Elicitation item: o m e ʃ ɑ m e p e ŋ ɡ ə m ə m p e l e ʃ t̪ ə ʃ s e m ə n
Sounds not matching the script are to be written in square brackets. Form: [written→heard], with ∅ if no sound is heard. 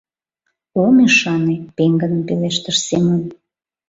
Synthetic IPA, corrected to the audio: o m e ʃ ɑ [m→n] e p e ŋ ɡ ə [m→n] ə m p e l e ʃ t̪ ə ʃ s e m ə n